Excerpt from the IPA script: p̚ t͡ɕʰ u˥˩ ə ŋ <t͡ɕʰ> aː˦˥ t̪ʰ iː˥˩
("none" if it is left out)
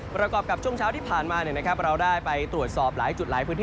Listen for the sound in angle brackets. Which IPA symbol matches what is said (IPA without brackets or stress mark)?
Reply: t͡ɕʰ